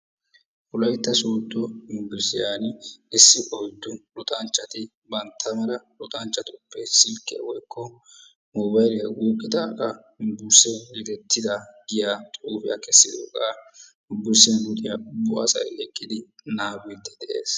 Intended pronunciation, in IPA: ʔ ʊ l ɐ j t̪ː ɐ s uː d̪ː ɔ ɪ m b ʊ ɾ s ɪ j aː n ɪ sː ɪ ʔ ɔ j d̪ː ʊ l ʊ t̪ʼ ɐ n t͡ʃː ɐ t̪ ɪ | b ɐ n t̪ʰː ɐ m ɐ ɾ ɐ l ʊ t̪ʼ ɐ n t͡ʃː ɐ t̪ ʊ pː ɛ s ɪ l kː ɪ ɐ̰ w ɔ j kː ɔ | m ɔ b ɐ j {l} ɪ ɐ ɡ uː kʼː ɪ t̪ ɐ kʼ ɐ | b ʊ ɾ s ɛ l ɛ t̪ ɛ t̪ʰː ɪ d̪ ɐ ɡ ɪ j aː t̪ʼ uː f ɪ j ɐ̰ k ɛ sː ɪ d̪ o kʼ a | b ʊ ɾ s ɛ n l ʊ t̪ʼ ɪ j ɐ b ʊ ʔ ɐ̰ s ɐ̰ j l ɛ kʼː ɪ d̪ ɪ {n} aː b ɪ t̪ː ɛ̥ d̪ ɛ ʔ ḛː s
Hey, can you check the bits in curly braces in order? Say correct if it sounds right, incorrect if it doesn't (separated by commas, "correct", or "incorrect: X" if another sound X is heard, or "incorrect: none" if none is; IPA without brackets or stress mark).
correct, correct